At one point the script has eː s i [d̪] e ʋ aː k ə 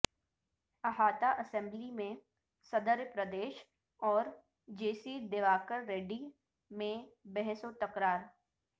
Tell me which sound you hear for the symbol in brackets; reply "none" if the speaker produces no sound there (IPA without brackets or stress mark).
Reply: d̪